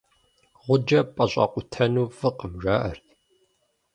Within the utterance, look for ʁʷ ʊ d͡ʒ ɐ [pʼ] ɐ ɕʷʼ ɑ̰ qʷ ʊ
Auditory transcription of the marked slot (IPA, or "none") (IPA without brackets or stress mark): pʼ